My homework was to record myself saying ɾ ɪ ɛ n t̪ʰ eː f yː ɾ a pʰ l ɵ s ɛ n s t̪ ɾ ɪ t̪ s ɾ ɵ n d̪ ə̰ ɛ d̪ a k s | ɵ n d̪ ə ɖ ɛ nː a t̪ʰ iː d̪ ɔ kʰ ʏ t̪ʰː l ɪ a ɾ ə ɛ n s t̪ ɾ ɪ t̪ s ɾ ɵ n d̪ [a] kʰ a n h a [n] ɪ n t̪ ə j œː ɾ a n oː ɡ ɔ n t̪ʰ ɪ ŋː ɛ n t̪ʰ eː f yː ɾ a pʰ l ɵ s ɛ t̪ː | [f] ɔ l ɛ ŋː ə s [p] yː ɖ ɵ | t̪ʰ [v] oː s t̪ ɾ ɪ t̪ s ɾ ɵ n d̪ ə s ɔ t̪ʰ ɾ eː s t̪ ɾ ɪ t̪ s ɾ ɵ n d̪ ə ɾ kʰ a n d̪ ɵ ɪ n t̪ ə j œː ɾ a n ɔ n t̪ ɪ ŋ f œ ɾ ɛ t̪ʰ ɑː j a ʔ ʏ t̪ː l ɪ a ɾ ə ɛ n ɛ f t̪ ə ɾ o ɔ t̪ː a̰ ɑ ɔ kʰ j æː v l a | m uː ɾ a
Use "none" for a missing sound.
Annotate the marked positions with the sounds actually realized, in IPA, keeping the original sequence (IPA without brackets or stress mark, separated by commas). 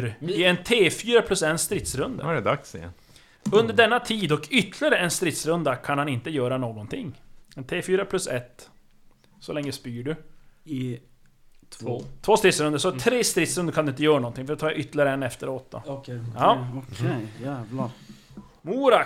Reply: a, n, s, p, v